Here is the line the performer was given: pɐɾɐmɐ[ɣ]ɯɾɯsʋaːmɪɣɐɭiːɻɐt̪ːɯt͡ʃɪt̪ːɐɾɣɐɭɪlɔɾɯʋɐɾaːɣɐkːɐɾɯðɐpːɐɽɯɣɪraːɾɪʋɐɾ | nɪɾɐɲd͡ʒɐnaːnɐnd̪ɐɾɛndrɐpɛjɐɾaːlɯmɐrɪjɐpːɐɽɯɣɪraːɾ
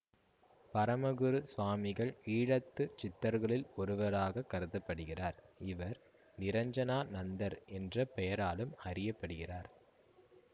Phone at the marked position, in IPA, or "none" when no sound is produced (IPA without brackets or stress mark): ɣ